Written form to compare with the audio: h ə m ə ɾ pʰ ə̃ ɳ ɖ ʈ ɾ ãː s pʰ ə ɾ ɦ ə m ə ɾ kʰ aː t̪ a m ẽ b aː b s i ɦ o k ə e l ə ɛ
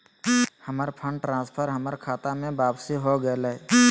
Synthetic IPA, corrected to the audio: h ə m ə ɾ pʰ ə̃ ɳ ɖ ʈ ɾ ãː s pʰ ə ɾ ɦ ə m ə ɾ kʰ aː t̪ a m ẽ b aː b s i ɦ o ɡ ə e l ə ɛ